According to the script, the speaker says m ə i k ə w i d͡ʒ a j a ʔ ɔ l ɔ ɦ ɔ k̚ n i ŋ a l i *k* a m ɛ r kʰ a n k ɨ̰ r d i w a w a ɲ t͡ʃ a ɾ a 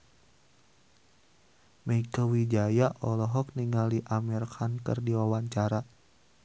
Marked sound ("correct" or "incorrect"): incorrect